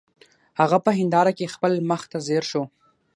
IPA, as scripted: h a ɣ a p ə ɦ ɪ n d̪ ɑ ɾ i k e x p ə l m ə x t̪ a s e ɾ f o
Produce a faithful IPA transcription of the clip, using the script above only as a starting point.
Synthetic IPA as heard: h a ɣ a p ə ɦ ɪ n d̪ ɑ ɾ a k e x p ə l m ə x t̪ a z e ɾ ʃ o

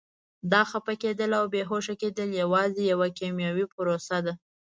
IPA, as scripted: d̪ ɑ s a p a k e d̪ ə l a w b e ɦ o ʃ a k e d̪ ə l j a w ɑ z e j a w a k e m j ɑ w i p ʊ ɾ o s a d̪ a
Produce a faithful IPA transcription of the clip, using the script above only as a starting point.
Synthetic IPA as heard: d̪ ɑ x a p a k e d̪ ə l a w b e ɦ o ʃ a k e d̪ ə l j a w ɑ z e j a w a k e m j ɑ w i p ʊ ɾ o s a d̪ a

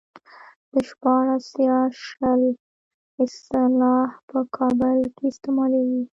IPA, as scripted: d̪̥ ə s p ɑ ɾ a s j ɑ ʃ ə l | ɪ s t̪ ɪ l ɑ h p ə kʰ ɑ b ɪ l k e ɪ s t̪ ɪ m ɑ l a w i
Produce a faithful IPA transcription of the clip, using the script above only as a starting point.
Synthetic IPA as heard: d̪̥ ə ʃ p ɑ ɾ a s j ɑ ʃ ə l | ɪ s t̪ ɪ l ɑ h p ə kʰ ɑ b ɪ l k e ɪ s t̪ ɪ m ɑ l a w i

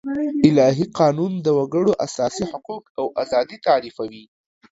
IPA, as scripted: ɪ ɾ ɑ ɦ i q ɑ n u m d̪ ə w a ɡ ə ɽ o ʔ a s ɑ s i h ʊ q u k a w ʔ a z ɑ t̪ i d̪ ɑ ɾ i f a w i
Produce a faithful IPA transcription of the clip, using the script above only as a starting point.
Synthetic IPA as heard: ɪ l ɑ ɦ i q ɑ n u n d̪ ə w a ɡ ə ɽ o ʔ a s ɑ s i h ʊ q u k a w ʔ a z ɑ d̪ i t̪ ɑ ɾ i f a w i

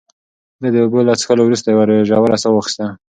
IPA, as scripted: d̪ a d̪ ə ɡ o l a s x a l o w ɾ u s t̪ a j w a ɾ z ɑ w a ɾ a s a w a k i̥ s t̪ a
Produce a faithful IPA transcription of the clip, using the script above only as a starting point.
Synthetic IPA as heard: d̪ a d̪ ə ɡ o l a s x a l o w ɾ u s t̪ a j w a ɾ ʒ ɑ w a ɾ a s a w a x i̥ s t̪ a

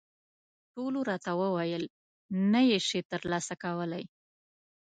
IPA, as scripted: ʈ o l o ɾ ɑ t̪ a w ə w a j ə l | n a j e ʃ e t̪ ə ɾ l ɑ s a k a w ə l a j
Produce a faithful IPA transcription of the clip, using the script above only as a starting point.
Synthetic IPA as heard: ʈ o l o ɾ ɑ t̪ a w ə w a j ə l | n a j e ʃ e t̪ ə ɾ l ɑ s a k a w ə l a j

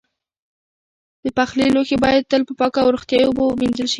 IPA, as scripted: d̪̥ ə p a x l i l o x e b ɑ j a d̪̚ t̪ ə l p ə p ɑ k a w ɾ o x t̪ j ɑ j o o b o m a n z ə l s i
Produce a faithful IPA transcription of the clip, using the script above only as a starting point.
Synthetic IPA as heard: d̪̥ ə p a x l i l o x e b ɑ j a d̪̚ t̪ ə l p ə p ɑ k a w ɾ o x t̪ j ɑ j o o b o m i n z ə l ʃ i

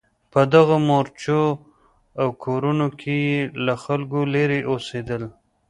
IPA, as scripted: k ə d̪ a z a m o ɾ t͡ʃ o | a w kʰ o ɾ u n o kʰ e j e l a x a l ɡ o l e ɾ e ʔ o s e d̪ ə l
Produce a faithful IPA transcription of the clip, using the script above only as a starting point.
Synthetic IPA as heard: p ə d̪ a ɣ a m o ɾ t͡ʃ o | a w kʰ o ɾ u n o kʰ e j e l a x a l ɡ o l e ɾ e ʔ o s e d̪ ə l

